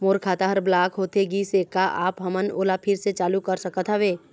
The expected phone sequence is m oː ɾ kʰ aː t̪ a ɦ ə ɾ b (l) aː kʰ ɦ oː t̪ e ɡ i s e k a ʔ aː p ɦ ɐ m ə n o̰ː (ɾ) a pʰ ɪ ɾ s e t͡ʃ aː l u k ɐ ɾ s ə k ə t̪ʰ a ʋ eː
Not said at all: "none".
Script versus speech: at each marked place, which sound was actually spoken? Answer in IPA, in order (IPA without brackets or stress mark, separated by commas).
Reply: l, l